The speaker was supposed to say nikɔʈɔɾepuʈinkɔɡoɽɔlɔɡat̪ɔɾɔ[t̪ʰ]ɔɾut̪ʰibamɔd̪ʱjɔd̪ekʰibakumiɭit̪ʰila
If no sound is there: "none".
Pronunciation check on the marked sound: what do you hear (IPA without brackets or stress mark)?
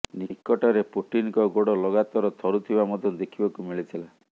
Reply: t̪ʰ